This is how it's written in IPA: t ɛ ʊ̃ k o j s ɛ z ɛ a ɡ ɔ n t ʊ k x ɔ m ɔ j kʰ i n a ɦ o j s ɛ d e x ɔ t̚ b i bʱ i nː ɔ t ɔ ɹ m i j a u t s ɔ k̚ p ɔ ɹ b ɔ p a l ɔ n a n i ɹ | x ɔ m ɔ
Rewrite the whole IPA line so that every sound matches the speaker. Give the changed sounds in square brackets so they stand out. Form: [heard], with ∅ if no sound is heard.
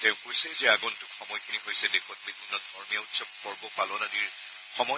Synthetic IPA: t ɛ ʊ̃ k o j s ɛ z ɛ a ɡ ɔ n t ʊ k x ɔ m ɔ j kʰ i n [i] ɦ o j s ɛ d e x ɔ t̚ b i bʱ i nː ɔ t ɔ ɹ m i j a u t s ɔ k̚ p ɔ ɹ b ɔ p a l ɔ n a n i ɹ | x ɔ m ɔ